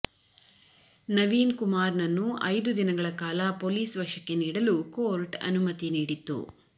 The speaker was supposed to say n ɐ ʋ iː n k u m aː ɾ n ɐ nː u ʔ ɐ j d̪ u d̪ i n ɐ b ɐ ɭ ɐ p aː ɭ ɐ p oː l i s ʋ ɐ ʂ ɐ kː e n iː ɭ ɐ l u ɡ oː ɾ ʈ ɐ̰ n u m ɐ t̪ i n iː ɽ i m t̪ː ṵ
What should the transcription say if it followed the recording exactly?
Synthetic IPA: n ɐ ʋ iː n k u m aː ɾ n ɐ nː u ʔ ɐ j d̪ u d̪ i n ɐ ɡ ɐ ɭ ɐ k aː l ɐ p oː l iː s ʋ ɐ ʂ ɐ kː e n iː ɽ ɐ l u k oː ɾ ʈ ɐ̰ n u m ɐ t̪ i n iː ɽ i t̪ː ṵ

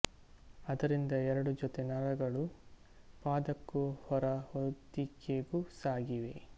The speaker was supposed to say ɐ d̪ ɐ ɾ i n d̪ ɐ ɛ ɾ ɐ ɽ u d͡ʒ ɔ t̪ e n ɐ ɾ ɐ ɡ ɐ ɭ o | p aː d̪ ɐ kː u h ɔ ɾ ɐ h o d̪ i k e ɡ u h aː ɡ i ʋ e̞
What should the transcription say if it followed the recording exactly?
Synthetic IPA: ɐ d̪ ɐ ɾ i n d̪ ɐ ɛ ɾ ɐ ɽ u d͡ʒ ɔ t̪ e n ɐ ɾ ɐ ɡ ɐ ɭ u | p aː d̪ ɐ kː u h ɔ ɾ ɐ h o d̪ i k e ɡ u s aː ɡ i ʋ e̞

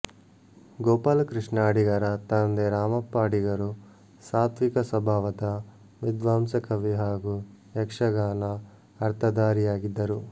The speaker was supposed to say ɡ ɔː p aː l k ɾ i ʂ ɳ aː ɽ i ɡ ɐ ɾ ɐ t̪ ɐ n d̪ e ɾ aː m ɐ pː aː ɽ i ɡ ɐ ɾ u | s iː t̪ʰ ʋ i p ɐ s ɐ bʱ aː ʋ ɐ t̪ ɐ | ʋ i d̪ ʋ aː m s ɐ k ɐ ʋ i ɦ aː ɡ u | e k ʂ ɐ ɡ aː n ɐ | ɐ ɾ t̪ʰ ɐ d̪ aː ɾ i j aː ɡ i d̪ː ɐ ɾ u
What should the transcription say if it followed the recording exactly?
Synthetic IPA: ɡ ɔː p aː l k ɾ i ʂ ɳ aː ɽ i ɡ ɐ ɾ ɐ t̪ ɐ n d̪ e ɾ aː m ɐ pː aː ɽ i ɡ ɐ ɾ u | s aː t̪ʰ ʋ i k ɐ s ɐ bʱ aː ʋ ɐ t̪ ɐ | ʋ i d̪ ʋ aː m s ɐ k ɐ ʋ i ɦ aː ɡ u | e k ʂ ɐ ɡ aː n ɐ | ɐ ɾ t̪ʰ ɐ d̪ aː ɾ i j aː ɡ i d̪ː ɐ ɾ u

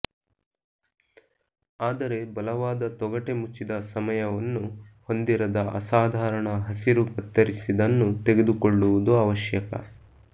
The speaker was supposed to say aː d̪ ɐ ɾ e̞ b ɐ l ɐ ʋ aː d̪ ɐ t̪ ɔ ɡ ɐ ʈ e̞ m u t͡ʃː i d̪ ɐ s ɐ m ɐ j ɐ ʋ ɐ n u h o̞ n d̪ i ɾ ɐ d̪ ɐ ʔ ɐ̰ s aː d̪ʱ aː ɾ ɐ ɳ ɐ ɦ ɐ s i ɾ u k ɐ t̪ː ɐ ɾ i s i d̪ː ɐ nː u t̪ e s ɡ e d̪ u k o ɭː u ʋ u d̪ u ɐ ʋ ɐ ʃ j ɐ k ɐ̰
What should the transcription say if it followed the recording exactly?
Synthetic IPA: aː d̪ ɐ ɾ e̞ b ɐ l ɐ ʋ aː d̪ ɐ t̪ ɔ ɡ ɐ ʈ e̞ m u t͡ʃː i d̪ ɐ s ɐ m ɐ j ɐ ʋ ɐ nː u h o̞ n d̪ i ɾ ɐ d̪ ɐ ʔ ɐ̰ s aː d̪ʱ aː ɾ ɐ ɳ ɐ ɦ ɐ s i ɾ u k ɐ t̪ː ɐ ɾ i s i d̪ ɐ nː u t̪ e ɡ e d̪ u k o ɭː u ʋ u d̪ u ɐ ʋ ɐ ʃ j ɐ k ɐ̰

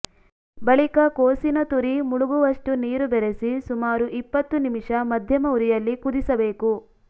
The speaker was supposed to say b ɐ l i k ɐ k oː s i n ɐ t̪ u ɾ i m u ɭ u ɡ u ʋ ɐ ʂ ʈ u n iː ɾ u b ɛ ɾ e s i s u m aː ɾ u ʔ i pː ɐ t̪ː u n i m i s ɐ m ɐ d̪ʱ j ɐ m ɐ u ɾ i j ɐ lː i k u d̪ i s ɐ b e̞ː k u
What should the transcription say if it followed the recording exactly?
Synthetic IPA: b ɐ ɭ i k ɐ k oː s i n ɐ t̪ u ɾ i m u ɭ u ɡ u ʋ ɐ ʂ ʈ u n iː ɾ u b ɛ ɾ e s i s u m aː ɾ u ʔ i pː ɐ t̪ː u n i m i ʂ ɐ m ɐ d̪ʱ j ɐ m ɐ u ɾ i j ɐ lː i k u d̪ i s ɐ b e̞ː k u

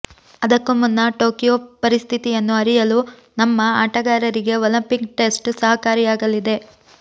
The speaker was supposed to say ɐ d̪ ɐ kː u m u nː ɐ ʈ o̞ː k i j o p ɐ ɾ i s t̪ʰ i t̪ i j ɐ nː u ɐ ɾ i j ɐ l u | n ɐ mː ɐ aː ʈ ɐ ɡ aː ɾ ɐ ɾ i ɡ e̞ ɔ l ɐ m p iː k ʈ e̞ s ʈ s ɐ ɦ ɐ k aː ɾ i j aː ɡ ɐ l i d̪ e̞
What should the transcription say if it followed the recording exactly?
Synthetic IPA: ɐ d̪ ɐ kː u m u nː ɐ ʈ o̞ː k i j o p ɐ ɾ i s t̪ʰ i t̪ i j ɐ nː u ɐ ɾ i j ɐ l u | n ɐ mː ɐ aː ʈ ɐ ɡ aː ɾ ɐ ɾ i ɡ e̞ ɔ l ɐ m p i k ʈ e̞ s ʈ s ɐ ɦ ɐ k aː ɾ i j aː ɡ ɐ l i d̪ e̞

